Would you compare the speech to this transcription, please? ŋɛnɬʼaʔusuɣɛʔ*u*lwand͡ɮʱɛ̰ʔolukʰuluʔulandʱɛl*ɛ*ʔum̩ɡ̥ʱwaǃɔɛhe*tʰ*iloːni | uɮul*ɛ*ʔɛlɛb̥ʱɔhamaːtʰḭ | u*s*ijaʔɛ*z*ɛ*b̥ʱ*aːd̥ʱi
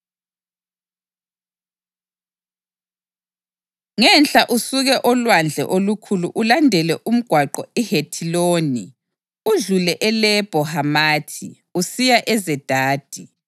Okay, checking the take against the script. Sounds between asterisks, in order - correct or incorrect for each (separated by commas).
incorrect, correct, correct, correct, correct, correct, incorrect